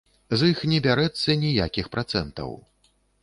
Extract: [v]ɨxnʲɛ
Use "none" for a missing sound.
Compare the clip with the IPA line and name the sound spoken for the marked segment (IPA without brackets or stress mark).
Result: z